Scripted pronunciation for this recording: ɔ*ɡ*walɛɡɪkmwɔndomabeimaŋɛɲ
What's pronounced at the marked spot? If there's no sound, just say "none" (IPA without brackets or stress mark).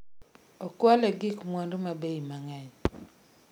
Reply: k